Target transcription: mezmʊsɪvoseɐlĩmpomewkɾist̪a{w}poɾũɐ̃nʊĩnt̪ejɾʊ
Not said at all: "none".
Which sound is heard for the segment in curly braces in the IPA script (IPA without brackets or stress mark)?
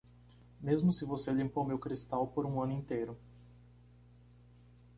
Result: w